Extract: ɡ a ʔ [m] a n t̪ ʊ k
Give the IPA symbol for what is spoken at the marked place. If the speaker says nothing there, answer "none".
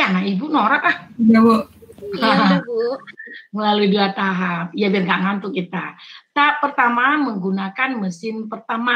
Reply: ŋ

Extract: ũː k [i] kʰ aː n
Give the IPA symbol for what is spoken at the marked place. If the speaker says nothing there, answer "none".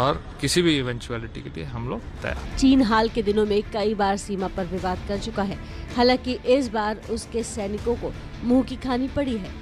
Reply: i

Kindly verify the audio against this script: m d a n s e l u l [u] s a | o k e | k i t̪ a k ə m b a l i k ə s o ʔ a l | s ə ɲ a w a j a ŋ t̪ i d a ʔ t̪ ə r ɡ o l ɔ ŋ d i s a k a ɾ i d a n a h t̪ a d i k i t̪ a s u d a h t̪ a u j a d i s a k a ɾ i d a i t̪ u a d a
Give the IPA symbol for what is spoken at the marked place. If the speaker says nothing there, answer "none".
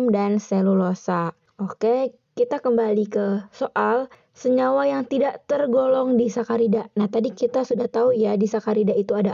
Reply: o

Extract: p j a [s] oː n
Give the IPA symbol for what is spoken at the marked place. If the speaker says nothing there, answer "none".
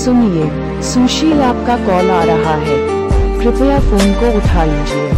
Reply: f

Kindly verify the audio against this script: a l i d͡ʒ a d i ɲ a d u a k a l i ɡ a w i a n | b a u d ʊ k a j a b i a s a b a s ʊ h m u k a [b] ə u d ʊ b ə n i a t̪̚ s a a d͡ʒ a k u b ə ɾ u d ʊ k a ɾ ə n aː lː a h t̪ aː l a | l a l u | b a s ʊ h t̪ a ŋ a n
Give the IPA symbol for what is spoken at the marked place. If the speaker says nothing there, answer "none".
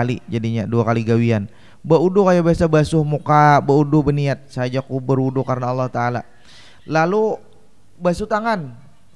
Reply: b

